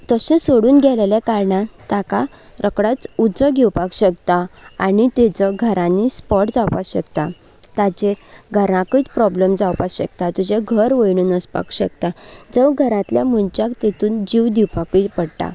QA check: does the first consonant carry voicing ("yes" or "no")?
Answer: no